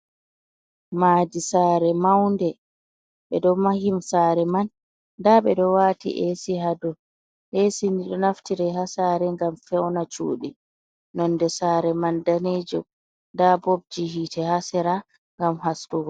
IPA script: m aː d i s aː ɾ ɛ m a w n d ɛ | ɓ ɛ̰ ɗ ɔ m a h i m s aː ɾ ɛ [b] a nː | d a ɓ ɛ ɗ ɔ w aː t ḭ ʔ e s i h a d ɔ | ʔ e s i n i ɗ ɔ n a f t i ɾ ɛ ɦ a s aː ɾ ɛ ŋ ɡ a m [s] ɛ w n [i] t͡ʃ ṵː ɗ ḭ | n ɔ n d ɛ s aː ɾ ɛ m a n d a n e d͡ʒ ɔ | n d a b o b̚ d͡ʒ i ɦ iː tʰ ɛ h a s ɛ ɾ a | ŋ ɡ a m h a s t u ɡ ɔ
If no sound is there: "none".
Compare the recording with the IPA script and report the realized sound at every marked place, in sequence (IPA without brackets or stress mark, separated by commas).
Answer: m, f, a